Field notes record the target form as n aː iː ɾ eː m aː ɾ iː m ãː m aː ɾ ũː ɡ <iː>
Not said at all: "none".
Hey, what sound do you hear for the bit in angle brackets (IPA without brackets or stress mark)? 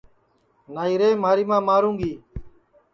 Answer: iː